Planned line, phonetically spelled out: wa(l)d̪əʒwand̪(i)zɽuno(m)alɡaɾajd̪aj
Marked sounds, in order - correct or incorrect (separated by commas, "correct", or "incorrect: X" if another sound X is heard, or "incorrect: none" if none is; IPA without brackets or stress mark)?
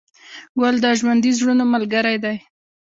correct, correct, correct